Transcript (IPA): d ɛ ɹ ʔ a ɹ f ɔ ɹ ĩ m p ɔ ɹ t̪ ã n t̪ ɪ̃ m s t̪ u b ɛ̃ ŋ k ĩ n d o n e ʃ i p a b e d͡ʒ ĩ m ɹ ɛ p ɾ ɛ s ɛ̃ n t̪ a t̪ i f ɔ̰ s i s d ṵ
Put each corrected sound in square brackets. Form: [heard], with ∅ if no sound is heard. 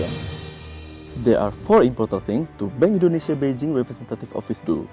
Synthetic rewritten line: d ɛ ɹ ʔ a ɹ f ɔ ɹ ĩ m p ɔ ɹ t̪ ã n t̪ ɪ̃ [ŋ] s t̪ u b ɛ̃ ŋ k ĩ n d o n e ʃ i [∅] a b e d͡ʒ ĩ [ŋ] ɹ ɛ p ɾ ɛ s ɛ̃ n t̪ a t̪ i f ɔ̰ [f] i s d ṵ